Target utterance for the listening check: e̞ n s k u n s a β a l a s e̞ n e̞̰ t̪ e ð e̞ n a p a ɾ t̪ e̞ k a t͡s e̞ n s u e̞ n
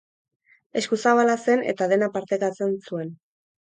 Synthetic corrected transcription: e̞ s k u s a β a l a s e̞ n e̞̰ t̪ a ð e̞ n a p a ɾ t̪ e̞ k a t͡s e̞ n s u e̞ n

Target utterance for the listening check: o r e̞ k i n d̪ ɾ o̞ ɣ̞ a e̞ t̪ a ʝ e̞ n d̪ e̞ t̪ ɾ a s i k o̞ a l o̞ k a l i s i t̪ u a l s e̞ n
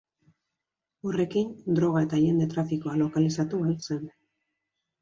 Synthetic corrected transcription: o r e̞ k i n d̪ ɾ o̞ ɣ̞ a e̞ t̪ a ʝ e̞ n d̪ e̞ t̪ ɾ a f i k o̞ a l o̞ k a l i s a t̪ u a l s e̞ n

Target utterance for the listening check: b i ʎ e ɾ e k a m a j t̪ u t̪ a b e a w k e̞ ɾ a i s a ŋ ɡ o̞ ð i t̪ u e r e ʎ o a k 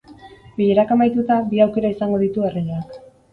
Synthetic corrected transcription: b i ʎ e ɾ a k a m a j t̪ u t̪ a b i a w k e̞ ɾ a i s a ŋ ɡ o̞ ð i t̪ u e r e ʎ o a k

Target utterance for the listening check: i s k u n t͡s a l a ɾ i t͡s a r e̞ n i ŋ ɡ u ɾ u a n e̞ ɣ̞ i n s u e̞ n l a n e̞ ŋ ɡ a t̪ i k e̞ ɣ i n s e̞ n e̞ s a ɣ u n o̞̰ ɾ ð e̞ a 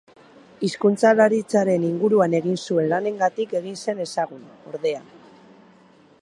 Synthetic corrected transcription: i s k u n t͡s a l a ɾ i t͡s a ɾ e̞ n i ŋ ɡ u ɾ u a n e̞ ɣ̞ i n s u e̞ n l a n e̞ ŋ ɡ a t̪ i k e̞ ɣ i n s e̞ n e̞ s a ɣ u n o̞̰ ɾ ð e̞ a

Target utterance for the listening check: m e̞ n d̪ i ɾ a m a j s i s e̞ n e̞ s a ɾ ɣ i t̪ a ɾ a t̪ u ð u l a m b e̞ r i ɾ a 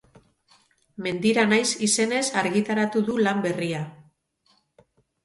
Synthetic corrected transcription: m e̞ n d̪ i ɾ a n a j s i s e̞ n e̞ s a ɾ ɣ i t̪ a ɾ a t̪ u ð u l a m b e̞ r i a

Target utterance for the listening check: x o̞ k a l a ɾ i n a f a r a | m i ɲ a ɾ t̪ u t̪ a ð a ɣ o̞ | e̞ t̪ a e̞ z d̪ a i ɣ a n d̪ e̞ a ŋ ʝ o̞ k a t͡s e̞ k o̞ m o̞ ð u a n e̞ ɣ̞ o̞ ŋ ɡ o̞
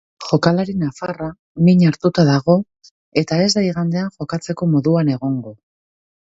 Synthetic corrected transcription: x o̞ k a l a ɾ i n a f a r a | m i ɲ a ɾ t̪ u t̪ a ð a ɣ o̞ | e̞ t̪ a e̞ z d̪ a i ɣ a n d̪ e̞ a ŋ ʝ o̞ k a t͡s e̞ k o̞ m o̞ ð u a n e̞ ɣ̞ o̞ ŋ ɡ o̞

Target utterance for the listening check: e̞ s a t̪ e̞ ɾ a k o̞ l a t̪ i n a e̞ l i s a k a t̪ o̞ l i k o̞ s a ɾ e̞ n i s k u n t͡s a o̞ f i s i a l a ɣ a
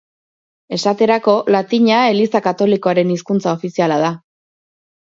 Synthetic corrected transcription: e̞ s a t̪ e̞ ɾ a k o̞ l a t̪ i ɲ a e̞ l i s a k a t̪ o̞ l i k o̞ a ɾ e̞ n i s k u n t͡s a o̞ f i s i a l a ð a

